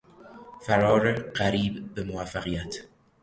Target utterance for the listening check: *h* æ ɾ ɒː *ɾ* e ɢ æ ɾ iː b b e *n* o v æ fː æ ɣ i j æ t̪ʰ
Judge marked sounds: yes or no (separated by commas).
no, yes, no